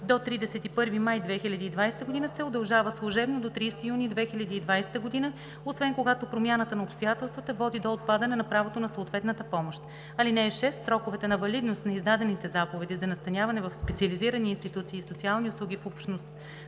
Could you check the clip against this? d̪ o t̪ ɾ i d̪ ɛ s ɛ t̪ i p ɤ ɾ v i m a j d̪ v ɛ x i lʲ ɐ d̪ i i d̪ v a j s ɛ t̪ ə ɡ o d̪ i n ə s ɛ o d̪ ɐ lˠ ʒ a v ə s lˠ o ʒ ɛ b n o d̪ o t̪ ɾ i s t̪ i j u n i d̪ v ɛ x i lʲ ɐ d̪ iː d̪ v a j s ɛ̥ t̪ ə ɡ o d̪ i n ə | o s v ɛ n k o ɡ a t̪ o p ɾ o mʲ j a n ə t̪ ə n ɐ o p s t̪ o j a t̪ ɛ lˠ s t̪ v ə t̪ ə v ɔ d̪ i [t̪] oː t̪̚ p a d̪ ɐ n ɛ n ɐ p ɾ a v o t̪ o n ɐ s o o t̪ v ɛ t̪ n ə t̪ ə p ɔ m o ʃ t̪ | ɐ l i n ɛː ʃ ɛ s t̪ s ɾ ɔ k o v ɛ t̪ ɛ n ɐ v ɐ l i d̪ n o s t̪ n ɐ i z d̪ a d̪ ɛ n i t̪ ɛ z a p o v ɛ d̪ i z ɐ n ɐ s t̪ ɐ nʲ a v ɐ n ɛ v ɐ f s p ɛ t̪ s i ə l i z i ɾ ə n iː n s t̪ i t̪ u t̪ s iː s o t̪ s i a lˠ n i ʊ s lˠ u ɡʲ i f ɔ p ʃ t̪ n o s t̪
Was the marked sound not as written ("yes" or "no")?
yes